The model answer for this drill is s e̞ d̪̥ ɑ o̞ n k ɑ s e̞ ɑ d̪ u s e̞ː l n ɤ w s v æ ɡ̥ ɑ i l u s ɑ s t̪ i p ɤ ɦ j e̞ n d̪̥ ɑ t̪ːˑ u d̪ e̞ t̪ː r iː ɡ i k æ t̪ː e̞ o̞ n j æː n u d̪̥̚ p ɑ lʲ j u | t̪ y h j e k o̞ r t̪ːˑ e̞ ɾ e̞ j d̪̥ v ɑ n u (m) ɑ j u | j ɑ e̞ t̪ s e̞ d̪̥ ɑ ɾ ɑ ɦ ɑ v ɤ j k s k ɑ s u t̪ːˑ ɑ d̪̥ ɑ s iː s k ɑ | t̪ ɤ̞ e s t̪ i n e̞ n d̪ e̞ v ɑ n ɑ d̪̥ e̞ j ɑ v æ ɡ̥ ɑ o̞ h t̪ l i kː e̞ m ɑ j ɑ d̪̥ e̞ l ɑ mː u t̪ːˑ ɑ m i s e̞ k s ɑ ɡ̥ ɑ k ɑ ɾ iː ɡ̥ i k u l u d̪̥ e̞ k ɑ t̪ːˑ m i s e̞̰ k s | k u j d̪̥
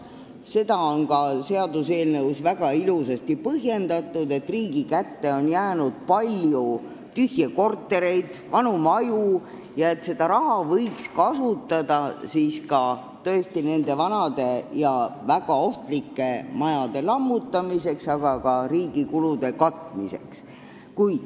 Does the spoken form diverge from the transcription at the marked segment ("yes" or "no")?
no